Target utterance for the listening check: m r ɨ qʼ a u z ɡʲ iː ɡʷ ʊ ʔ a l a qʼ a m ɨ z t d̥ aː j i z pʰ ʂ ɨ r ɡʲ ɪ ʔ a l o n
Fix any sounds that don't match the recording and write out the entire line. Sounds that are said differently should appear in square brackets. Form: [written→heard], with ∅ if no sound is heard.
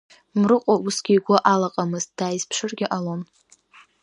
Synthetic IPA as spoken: m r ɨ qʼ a u [z→s] ɡʲ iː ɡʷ ʊ ʔ a l a qʼ a m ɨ z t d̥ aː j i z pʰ ʂ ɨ r ɡʲ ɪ ʔ a l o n